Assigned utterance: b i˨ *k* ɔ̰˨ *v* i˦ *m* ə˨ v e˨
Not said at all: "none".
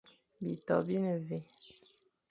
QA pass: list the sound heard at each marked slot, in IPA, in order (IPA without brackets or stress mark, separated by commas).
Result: t, b, n